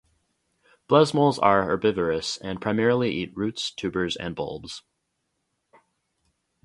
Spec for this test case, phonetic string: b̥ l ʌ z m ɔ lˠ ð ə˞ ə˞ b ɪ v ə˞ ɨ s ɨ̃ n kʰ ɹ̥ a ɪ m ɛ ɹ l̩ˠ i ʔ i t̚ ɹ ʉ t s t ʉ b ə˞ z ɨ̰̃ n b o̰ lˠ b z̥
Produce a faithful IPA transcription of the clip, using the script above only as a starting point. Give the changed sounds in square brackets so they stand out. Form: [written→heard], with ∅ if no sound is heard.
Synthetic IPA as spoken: b̥ l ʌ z m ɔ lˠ [ð→z] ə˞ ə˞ b ɪ v ə˞ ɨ s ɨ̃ n [kʰ→pʰ] ɹ̥ a ɪ m ɛ ɹ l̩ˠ i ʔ i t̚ ɹ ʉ t s [t→tʰ] ʉ b ə˞ z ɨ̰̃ n b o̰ lˠ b z̥

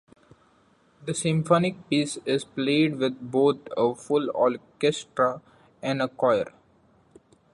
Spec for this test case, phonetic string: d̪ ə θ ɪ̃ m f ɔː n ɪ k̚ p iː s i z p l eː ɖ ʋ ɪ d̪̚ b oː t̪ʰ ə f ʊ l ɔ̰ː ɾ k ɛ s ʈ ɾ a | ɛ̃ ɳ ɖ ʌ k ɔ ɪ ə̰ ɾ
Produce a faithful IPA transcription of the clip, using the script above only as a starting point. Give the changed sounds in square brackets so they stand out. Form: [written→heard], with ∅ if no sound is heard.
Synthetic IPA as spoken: d̪ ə [θ→s] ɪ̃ m f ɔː n ɪ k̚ p iː s [i→ɪ] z p l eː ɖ ʋ ɪ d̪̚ b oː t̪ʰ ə f ʊ l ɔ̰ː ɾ k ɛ s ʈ ɾ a | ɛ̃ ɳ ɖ [ʌ→ə] k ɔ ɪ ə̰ ɾ

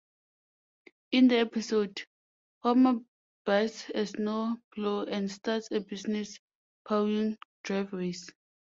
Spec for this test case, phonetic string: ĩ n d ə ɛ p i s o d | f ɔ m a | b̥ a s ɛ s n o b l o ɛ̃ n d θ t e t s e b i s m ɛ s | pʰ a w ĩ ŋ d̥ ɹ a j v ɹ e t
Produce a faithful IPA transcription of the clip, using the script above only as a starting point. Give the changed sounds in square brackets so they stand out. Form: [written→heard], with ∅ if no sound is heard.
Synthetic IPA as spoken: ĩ n d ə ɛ p i s o d | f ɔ m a | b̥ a s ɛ s n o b l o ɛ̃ n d [θ→s] t [e→a] t s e b i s [m→n] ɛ s | pʰ a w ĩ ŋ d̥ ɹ a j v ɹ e [t→s]

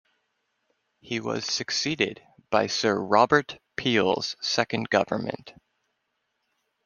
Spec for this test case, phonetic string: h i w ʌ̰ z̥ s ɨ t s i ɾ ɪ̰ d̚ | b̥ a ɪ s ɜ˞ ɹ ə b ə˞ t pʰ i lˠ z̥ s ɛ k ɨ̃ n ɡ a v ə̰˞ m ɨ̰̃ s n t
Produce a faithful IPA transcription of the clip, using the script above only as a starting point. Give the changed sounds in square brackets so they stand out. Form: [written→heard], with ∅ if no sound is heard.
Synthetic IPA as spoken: h i w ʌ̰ z̥ s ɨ [t→k] s i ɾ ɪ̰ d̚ | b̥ a ɪ s ɜ˞ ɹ [ə→ɑ] b ə˞ t pʰ i lˠ z̥ s ɛ k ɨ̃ n ɡ [a→ʌ] v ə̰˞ m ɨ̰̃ [s→∅] n t

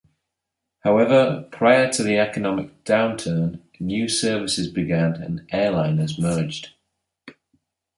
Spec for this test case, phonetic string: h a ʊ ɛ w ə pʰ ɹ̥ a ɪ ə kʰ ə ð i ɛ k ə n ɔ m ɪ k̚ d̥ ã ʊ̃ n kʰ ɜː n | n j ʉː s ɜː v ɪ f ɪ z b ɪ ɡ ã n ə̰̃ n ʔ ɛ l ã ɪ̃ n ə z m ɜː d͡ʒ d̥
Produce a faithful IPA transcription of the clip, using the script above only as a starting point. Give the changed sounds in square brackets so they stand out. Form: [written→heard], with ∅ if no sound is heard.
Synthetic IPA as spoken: h a ʊ ɛ [w→v] ə pʰ ɹ̥ a ɪ ə [kʰ→tʰ] ə ð i ɛ k ə n [ɔ→ɒ] m ɪ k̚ d̥ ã ʊ̃ n [kʰ→tʰ] ɜː n | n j ʉː s ɜː v ɪ [f→s] ɪ z b ɪ ɡ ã n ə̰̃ n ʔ [ɛ→ɛː] l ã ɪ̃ n ə z m ɜː d͡ʒ d̥

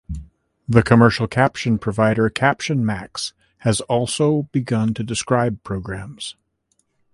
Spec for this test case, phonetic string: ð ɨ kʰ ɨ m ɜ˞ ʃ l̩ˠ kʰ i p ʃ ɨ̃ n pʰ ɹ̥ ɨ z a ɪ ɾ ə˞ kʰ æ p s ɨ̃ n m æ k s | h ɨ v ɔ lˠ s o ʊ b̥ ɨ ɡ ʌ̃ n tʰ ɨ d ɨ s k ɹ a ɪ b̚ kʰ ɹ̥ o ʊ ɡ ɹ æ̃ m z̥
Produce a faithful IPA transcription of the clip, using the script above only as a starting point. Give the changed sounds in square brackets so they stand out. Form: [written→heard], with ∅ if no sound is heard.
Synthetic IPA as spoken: ð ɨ kʰ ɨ m ɜ˞ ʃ l̩ˠ kʰ [i→æ] p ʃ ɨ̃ n pʰ ɹ̥ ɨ [z→v] a ɪ ɾ ə˞ kʰ æ p [s→ʃ] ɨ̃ n m æ k s | h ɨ [v→z] ɔ lˠ s o ʊ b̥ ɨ ɡ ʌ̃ n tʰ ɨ d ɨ s k ɹ a ɪ b̚ [kʰ→pʰ] ɹ̥ o ʊ ɡ ɹ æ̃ m z̥

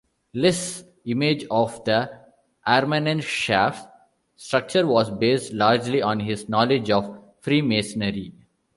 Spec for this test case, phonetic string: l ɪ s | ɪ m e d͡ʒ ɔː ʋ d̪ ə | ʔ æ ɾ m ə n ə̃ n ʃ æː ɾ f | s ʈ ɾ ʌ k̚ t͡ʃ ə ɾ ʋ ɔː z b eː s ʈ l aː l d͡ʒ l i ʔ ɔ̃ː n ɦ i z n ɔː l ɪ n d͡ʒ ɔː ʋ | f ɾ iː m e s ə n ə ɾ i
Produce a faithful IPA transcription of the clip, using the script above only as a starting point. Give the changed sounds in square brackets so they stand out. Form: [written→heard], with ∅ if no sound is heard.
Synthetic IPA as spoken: l ɪ s | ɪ m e d͡ʒ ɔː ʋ d̪ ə | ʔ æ ɾ m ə n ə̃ n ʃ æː [ɾ→∅] f | s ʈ ɾ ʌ k̚ t͡ʃ ə ɾ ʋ ɔː z b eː s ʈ l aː [l→ɾ] d͡ʒ l i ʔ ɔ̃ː n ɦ [i→ɪ] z n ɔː l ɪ [n→∅] d͡ʒ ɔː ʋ | f ɾ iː m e s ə n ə ɾ i

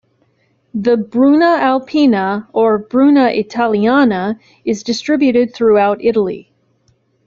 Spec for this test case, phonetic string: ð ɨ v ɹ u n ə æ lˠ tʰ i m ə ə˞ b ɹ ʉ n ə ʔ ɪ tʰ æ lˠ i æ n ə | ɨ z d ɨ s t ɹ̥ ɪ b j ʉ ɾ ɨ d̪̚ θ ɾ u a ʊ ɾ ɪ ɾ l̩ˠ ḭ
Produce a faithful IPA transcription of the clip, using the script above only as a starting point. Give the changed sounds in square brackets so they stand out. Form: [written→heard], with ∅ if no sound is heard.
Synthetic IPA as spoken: ð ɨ [v→b] ɹ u n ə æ lˠ [tʰ→pʰ] i [m→n] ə ə˞ b ɹ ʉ n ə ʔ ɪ tʰ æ lˠ i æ n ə | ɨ z d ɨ s t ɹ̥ ɪ b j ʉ ɾ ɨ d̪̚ θ [ɾ→ɹ] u a ʊ ɾ ɪ ɾ l̩ˠ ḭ

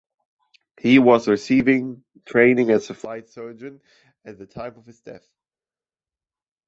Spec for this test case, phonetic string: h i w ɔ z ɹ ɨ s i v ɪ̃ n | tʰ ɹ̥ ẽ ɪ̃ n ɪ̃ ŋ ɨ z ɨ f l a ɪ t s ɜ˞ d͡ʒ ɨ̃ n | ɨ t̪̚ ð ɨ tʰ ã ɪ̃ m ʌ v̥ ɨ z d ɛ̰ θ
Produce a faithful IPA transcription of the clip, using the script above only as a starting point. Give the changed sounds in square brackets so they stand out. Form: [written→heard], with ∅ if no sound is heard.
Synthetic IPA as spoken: h i w [ɔ→ʌ] z ɹ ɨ s i v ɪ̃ [n→ŋ] | tʰ ɹ̥ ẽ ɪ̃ n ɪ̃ ŋ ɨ z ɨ f l a ɪ t s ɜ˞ d͡ʒ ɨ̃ n | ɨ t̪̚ ð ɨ tʰ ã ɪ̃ m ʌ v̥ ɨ z d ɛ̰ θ

